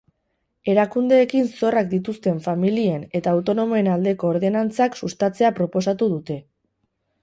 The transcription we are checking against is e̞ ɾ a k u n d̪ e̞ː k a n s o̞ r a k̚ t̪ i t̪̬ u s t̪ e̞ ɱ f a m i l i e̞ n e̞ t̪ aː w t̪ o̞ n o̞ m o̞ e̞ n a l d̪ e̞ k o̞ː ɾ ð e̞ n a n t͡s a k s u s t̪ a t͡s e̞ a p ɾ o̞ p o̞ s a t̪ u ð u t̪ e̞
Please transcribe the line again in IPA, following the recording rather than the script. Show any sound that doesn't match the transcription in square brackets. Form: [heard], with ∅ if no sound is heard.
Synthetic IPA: e̞ ɾ a k u n d̪ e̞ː k [i] n s o̞ r a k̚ [d̪] i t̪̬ u s t̪ e̞ ɱ f a m i l i e̞ n e̞ t̪ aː w t̪ o̞ n o̞ m o̞ e̞ n a l d̪ e̞ k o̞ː ɾ ð e̞ n a n t͡s a k s u s t̪ a t͡s e̞ a p ɾ o̞ p o̞ s a t̪ u ð u t̪ e̞